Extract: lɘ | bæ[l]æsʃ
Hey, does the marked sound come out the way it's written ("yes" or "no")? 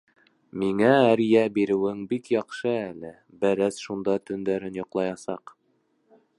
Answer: no